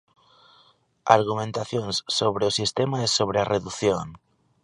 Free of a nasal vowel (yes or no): no